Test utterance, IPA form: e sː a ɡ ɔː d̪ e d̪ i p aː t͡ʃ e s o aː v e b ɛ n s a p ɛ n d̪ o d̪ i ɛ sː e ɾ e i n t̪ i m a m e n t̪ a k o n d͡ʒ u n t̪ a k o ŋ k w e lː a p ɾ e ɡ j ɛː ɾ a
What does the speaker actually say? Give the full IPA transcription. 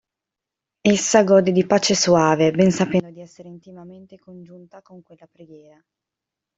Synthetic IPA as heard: e sː a ɡ ɔː d̪ e d̪ i p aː t͡ʃ e s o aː v e b ɛ n s a p ɛ n d̪ o d̪ i ɛ sː e ɾ e i n t̪ i m a m e n t̪ e k o n d͡ʒ u n t̪ a k o ŋ k w e lː a p ɾ e ɡ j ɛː ɾ a